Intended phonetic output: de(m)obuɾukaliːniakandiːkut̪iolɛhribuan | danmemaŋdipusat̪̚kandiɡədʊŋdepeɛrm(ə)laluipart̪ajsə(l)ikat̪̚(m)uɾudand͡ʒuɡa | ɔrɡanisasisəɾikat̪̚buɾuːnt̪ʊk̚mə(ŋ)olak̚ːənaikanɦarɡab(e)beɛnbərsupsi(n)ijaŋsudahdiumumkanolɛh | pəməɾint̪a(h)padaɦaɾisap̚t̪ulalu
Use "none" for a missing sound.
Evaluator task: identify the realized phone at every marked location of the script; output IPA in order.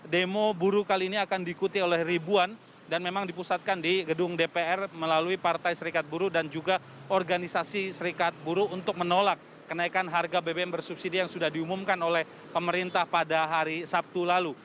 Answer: m, ə, ɾ, b, n, e, d, h

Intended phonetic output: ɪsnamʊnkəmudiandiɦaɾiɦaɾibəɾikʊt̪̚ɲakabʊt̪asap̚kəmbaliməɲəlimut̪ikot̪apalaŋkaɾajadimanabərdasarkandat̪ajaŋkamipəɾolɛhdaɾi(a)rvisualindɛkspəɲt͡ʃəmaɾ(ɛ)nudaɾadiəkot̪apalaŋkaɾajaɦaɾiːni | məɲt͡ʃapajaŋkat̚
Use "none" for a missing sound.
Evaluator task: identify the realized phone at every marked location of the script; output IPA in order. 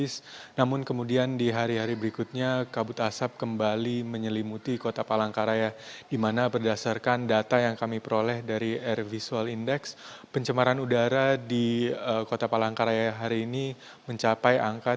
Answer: ɛ, a

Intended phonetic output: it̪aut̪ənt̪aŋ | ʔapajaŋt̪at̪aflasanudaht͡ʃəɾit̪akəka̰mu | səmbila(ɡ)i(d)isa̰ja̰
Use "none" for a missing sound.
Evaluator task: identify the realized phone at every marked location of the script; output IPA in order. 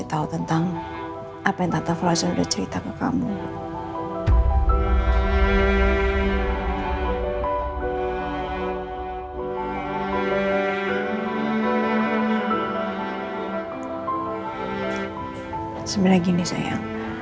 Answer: ɡ, n

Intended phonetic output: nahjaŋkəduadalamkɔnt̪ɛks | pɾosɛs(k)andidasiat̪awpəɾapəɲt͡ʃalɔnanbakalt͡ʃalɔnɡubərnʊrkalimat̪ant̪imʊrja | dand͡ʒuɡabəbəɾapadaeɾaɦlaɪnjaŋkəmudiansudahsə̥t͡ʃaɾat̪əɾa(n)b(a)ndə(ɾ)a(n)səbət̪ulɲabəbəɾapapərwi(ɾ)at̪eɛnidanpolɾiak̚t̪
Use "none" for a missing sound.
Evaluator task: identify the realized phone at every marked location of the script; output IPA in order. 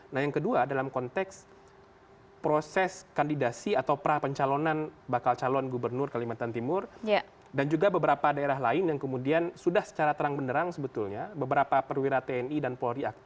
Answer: k, ŋ, ə, ɾ, ŋ, ɾ

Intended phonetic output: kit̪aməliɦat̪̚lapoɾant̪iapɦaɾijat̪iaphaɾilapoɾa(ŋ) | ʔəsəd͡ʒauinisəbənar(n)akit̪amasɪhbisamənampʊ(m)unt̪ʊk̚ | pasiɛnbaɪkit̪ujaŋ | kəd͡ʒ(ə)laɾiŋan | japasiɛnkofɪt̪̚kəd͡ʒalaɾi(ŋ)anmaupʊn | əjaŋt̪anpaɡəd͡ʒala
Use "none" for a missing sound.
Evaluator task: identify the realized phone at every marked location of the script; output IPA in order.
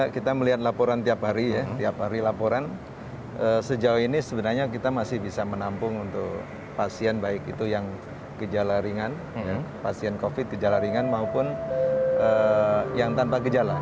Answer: n, ɲ, ŋ, a, ŋ

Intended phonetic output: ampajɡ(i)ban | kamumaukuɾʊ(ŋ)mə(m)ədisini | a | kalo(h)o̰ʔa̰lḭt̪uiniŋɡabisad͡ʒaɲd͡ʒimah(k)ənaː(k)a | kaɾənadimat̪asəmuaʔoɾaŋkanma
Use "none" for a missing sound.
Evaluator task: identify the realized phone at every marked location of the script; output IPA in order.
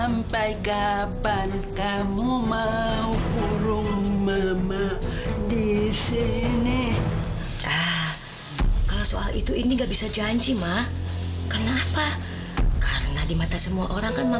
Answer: a, ŋ, m, s, k, p

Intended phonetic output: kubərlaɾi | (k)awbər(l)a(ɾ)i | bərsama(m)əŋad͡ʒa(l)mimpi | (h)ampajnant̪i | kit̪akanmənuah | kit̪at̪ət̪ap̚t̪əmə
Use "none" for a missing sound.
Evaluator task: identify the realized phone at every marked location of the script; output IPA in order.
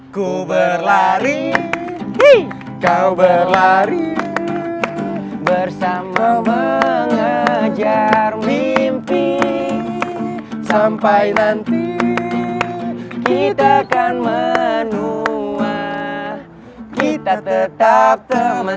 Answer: k, l, ɾ, m, r, s

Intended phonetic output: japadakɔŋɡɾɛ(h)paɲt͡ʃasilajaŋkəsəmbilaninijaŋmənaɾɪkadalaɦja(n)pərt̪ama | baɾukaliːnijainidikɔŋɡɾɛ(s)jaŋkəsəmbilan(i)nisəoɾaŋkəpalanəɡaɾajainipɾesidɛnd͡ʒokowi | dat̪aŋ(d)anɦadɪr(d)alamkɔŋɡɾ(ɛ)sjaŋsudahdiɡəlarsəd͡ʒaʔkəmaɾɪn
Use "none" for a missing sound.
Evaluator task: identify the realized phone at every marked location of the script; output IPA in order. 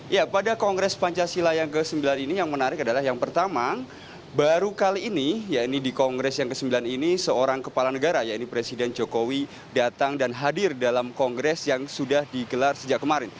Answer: s, ŋ, s, i, d, d, ɛ

